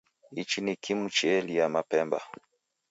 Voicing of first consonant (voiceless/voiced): voiceless